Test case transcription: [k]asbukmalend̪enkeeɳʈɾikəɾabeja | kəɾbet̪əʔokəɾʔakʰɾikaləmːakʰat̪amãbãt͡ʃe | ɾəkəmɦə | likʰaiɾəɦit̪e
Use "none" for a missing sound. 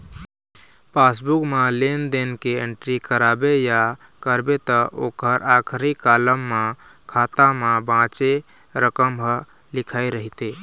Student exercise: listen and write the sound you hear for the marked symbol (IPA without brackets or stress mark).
p